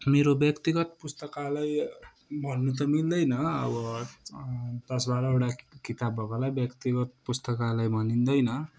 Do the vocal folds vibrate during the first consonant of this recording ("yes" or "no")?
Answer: yes